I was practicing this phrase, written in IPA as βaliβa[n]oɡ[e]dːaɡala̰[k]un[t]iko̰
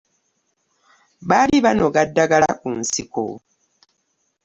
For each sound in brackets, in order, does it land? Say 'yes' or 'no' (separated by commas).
yes, no, yes, no